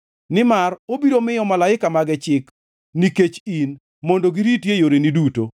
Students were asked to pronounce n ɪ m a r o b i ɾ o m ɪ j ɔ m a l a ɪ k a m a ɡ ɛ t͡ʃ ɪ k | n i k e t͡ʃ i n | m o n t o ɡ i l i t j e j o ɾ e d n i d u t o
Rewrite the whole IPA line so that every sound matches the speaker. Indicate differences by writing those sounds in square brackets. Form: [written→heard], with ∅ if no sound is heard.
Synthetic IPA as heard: n ɪ m a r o b i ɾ o m ɪ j ɔ m a l a ɪ k a m a ɡ ɛ t͡ʃ ɪ k | n i k e t͡ʃ i n | m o n [t→d] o ɡ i [l→ɾ] i t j e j o ɾ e [d→∅] n i d u t o